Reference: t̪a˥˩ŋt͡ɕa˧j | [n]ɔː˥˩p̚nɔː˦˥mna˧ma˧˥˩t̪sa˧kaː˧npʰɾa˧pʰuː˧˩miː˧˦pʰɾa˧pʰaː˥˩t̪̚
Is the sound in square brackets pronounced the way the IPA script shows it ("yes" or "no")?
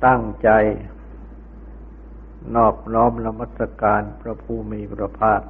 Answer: yes